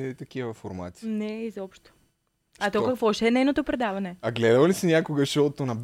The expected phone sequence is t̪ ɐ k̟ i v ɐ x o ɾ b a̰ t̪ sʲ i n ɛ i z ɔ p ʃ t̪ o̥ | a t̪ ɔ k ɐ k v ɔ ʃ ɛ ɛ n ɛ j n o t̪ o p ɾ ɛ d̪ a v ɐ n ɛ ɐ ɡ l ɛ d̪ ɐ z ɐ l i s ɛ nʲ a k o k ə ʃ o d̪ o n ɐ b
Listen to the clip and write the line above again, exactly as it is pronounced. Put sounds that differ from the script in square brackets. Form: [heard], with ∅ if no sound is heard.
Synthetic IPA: t̪ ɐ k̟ i v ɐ [f] o ɾ [m] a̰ t̪ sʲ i n ɛ i z ɔ p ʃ t̪ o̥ | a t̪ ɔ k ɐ k v ɔ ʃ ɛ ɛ n ɛ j n o t̪ o p ɾ ɛ d̪ a v ɐ n ɛ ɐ ɡ l ɛ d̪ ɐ [v] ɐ l i s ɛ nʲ a k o [ɡ] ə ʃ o [t̪] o n ɐ b